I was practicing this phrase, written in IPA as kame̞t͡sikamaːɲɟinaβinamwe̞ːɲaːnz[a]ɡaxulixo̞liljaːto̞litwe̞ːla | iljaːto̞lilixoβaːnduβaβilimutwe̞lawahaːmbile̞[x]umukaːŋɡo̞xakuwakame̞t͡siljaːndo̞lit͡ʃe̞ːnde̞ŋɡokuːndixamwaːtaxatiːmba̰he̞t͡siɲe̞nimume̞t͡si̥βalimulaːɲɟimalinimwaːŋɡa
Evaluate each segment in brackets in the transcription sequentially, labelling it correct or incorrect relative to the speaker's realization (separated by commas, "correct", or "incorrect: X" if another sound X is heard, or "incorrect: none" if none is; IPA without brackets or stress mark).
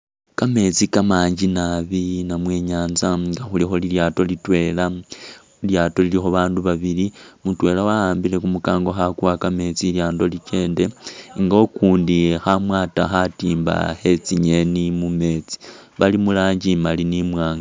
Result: correct, incorrect: k